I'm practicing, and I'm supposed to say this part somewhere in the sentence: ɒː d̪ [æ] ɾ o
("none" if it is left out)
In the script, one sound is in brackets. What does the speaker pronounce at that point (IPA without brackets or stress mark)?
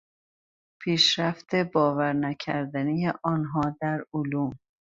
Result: æ